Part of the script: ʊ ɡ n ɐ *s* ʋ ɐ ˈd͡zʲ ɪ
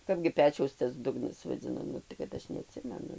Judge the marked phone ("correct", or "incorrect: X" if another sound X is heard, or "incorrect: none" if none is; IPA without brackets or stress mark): correct